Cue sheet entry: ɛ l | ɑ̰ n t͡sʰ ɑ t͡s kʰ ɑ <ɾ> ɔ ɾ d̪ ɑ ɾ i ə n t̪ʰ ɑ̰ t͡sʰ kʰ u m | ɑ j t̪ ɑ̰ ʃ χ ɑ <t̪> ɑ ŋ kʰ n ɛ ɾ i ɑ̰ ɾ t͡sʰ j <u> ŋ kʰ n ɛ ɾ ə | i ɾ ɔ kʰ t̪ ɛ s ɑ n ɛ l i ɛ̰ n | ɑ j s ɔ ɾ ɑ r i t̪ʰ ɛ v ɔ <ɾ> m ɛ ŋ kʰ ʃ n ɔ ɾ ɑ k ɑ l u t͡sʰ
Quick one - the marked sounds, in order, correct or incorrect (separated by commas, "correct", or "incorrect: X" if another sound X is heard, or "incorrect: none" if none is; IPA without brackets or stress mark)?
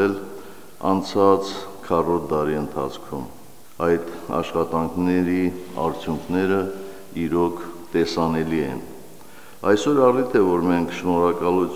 incorrect: r, correct, correct, correct